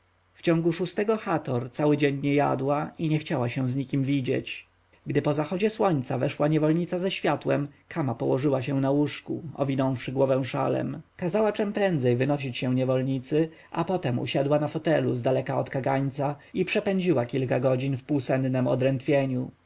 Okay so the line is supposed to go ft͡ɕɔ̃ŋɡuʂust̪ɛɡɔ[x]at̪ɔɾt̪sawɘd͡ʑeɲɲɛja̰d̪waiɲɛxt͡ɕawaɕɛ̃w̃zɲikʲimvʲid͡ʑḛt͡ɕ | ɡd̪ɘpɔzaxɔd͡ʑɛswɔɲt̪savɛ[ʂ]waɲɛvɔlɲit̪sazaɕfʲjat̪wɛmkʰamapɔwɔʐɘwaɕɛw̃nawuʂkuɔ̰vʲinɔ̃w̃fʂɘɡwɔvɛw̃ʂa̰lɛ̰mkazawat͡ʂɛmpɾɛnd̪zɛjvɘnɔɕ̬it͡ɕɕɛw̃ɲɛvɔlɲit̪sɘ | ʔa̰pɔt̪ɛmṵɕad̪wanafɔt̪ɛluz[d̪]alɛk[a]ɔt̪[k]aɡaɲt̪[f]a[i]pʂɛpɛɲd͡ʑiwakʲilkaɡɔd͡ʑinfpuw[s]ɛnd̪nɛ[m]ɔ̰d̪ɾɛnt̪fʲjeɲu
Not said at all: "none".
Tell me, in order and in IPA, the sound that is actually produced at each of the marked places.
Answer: x, ʂ, d̪, a, k, s, i, s, m

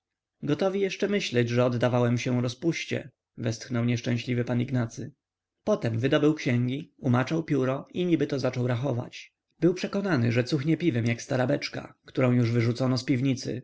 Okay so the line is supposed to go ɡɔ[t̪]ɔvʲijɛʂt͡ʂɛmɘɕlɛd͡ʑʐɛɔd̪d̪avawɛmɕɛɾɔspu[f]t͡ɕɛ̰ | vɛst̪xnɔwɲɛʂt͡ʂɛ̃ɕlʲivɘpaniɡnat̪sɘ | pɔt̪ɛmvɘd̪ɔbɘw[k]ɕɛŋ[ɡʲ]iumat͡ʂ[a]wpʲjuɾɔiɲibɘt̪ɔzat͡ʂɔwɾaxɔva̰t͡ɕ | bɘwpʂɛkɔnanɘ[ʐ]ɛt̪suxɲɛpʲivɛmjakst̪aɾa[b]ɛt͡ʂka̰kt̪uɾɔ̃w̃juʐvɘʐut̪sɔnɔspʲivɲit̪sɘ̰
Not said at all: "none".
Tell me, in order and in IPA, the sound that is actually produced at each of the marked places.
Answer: t̪, ɕ, k, ɡʲ, a, ʐ, b

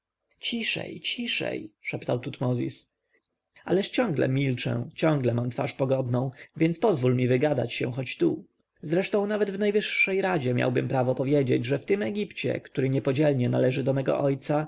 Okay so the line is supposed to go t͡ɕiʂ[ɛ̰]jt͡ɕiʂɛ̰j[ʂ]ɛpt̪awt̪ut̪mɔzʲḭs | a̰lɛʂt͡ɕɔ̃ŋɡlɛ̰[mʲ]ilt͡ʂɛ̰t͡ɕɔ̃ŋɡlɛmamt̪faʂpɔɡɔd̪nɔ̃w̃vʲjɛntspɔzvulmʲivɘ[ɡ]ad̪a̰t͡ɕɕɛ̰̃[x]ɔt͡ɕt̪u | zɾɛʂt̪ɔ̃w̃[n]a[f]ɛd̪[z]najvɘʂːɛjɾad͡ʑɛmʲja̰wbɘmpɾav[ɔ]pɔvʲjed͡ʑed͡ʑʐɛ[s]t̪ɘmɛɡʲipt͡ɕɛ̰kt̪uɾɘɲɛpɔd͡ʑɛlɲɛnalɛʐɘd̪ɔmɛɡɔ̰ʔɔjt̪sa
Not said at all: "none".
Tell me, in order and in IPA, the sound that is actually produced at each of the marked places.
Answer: ɛ̰, ʂ, mʲ, ɡ, x, n, v, v, ɔ, f

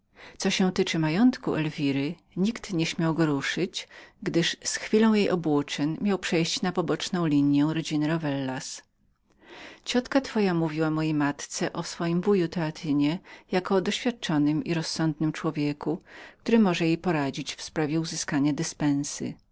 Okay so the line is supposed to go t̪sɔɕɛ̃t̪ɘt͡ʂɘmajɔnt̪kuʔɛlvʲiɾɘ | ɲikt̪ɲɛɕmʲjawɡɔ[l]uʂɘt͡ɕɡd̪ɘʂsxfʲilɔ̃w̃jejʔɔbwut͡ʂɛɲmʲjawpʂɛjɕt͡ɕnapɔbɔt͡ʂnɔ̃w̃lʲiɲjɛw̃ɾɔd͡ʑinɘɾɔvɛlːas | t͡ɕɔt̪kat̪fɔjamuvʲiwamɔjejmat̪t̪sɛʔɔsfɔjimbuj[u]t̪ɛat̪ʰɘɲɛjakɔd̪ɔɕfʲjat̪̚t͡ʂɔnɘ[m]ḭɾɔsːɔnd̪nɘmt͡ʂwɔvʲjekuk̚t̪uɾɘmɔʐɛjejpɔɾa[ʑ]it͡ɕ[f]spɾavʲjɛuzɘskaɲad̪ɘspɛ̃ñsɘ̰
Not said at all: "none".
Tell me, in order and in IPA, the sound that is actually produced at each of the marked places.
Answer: ɾ, u, m, d͡ʑ, f

